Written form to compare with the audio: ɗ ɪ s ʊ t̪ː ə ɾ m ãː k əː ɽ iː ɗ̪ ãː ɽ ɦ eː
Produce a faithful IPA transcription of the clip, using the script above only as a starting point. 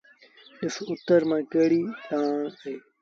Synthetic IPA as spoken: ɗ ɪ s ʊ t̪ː ə ɾ m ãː k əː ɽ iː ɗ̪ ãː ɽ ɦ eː